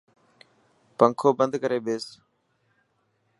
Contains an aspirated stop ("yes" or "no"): yes